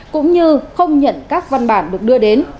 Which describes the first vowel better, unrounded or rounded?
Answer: rounded